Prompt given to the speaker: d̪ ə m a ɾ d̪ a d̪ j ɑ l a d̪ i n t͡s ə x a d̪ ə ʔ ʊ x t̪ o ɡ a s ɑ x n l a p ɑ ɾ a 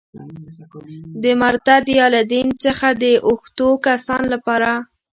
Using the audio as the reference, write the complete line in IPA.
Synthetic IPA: d̪ ə m a ɾ t̪ a d̪ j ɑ l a d̪ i n t͡s ə x a d̪ ə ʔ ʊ x t̪ o k a s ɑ n l a p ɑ ɾ a